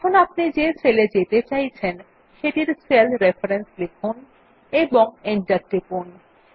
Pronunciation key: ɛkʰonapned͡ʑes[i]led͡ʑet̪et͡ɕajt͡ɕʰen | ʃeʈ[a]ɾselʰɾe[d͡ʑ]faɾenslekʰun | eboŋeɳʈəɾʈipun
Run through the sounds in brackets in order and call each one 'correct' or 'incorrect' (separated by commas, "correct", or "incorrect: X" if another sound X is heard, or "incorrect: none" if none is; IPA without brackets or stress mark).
incorrect: e, incorrect: i, incorrect: none